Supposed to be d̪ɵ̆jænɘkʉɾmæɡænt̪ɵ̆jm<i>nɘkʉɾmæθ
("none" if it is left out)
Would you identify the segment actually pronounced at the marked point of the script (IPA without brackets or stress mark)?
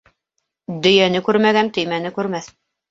æ